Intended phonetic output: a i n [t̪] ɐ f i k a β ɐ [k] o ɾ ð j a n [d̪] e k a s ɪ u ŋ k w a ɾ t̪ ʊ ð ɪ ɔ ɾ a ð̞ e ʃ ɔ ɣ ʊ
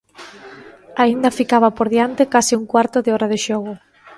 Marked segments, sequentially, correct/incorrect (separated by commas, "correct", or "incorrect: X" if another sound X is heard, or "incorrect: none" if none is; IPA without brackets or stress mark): incorrect: d̪, incorrect: p, incorrect: t̪